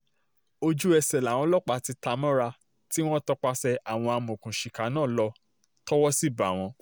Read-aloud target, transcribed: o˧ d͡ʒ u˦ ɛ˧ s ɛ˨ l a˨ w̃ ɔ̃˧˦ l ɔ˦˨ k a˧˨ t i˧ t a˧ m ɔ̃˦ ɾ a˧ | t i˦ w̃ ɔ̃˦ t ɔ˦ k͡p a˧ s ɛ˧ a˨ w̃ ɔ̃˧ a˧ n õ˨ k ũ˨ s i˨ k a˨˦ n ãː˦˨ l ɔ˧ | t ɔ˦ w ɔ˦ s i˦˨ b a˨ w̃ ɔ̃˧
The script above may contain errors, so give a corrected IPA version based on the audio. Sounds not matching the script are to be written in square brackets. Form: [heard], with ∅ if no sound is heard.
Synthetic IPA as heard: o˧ d͡ʒ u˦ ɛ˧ s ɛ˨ l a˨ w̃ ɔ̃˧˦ l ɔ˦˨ [k͡p] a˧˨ t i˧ t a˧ m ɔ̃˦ ɾ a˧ | t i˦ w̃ ɔ̃˦ t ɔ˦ k͡p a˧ s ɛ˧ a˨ w̃ ɔ̃˧ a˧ [m] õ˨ k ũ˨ [ʃ] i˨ k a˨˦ n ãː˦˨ l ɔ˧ | t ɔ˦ w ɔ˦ s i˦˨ b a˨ w̃ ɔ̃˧